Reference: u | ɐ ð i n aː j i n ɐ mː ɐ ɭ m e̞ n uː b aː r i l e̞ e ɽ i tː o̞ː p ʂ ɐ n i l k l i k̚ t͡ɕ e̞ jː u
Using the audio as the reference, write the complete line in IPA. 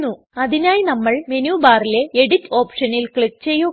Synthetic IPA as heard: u | ɐ ð i n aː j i n ɐ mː ɐ ɭ m e̞ n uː b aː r i l e̞ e ɽ i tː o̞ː p ʂ ɐ n i l k ɭ i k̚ t͡ɕ e̞ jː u